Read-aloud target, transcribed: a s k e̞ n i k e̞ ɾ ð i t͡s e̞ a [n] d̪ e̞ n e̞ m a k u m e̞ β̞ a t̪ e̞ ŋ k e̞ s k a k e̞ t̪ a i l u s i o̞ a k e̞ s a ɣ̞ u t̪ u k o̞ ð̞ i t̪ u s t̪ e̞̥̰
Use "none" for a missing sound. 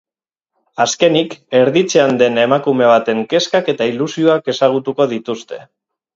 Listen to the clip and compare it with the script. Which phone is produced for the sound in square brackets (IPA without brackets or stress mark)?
n